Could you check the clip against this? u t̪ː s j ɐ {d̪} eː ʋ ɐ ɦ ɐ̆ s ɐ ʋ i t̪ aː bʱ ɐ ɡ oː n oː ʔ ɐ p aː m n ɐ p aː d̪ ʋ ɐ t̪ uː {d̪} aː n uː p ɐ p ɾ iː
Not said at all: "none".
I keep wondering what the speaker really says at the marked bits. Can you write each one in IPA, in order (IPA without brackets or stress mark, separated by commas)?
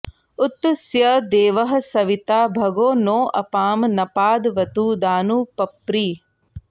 d̪, d̪